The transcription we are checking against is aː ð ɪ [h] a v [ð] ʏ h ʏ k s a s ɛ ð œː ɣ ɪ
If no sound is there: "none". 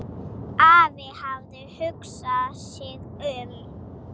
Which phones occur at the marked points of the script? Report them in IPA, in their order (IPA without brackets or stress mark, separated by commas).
h, ð